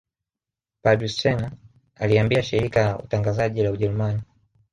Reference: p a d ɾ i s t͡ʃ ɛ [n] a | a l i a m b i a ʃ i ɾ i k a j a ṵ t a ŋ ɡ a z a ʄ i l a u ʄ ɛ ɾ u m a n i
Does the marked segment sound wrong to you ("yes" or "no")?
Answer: no